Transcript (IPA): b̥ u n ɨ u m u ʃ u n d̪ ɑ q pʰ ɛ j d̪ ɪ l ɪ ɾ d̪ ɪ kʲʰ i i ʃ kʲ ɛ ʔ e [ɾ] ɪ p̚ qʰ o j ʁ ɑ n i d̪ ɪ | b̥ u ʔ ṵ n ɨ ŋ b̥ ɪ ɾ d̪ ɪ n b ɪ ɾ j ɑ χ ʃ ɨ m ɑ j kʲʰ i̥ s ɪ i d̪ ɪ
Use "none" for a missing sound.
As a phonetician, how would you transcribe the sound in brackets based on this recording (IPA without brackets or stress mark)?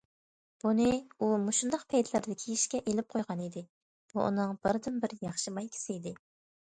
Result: l